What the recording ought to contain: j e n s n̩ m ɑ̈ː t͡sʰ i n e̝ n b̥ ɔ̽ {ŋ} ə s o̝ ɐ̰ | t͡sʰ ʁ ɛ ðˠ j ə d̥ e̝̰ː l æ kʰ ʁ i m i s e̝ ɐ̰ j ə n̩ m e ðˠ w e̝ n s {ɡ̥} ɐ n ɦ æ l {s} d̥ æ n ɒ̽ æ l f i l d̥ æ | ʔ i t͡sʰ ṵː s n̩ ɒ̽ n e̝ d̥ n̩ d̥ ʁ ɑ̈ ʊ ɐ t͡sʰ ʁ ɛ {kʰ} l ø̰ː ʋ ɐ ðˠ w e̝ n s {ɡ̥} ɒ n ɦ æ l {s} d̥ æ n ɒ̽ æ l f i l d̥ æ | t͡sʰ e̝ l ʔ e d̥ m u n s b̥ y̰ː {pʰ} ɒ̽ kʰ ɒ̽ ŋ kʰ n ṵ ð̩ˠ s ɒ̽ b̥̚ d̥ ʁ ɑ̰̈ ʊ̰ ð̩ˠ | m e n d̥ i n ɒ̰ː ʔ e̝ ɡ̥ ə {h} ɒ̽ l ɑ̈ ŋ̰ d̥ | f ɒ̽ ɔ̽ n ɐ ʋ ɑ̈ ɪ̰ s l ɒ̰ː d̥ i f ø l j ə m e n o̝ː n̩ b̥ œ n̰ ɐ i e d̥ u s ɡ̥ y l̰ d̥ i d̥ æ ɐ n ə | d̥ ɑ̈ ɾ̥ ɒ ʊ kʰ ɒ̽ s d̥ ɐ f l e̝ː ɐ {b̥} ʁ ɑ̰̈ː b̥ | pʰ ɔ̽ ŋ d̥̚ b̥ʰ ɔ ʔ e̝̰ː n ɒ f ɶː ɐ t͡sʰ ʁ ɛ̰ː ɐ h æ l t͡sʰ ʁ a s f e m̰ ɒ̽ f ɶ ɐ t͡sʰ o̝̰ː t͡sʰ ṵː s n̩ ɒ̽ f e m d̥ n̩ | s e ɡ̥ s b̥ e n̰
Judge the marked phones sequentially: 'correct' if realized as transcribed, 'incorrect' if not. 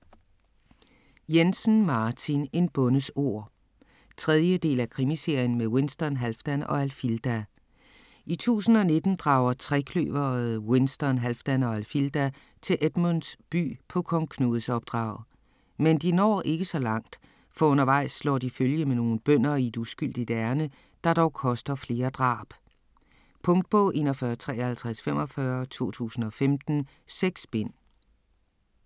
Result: incorrect, incorrect, incorrect, correct, incorrect, incorrect, correct, incorrect, incorrect

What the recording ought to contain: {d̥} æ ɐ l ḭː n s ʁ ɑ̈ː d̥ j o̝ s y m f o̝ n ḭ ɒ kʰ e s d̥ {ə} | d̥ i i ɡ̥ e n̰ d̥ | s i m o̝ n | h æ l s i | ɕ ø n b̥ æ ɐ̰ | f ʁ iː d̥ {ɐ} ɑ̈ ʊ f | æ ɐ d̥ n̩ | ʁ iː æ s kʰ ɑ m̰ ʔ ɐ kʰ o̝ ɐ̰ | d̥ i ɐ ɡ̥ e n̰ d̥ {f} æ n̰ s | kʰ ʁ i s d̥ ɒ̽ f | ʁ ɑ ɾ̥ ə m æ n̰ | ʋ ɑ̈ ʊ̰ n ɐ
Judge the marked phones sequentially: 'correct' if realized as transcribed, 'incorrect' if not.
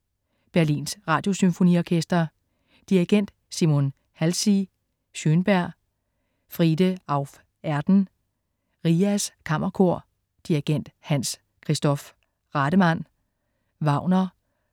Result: incorrect, incorrect, incorrect, incorrect

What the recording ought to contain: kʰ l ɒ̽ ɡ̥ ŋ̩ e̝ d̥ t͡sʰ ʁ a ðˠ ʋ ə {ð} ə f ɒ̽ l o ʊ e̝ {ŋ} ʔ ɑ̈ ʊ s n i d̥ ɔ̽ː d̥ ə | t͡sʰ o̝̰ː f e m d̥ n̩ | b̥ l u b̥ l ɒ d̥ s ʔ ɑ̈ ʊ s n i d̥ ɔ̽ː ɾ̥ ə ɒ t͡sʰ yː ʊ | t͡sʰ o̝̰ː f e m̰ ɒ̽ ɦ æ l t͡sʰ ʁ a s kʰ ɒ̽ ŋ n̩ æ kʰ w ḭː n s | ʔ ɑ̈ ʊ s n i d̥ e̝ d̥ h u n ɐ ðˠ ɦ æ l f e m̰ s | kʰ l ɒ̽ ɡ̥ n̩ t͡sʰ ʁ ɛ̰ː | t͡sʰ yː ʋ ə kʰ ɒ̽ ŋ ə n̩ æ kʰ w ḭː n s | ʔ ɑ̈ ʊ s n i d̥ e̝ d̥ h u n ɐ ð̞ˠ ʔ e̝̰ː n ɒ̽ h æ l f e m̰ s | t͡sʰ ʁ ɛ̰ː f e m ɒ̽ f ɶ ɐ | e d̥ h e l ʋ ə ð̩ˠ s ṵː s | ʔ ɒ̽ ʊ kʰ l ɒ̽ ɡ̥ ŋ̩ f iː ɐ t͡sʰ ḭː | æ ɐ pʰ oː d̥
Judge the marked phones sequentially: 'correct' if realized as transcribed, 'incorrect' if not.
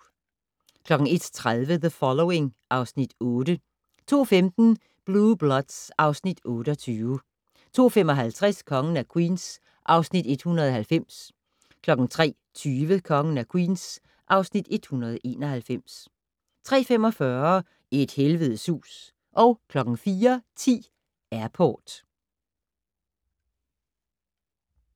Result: correct, correct

